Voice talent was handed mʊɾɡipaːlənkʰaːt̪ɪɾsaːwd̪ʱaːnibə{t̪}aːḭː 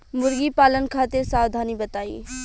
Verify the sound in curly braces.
correct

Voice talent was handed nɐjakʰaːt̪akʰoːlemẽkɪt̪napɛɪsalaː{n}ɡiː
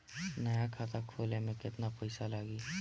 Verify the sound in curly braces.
incorrect: none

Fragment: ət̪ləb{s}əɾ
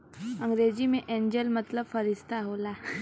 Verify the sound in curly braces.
incorrect: f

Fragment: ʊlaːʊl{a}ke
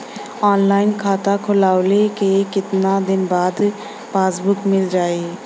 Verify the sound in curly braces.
incorrect: e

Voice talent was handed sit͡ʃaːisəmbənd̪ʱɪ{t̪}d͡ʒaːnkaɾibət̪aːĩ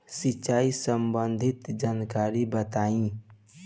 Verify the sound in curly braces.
correct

